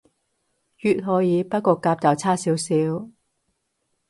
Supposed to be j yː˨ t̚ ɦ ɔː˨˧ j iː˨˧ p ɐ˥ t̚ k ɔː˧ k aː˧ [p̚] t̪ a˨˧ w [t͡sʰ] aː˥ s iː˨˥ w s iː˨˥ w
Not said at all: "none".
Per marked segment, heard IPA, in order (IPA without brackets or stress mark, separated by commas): p̚, t͡sʰ